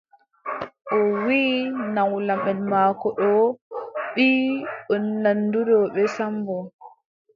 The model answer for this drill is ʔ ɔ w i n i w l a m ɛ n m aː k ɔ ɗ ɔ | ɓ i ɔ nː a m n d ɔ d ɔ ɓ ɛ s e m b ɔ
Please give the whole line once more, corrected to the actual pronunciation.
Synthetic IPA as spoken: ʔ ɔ w i n a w l a m ɛ n m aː k ɔ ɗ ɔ | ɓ i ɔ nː a n d u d ɔ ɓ ɛ s a m b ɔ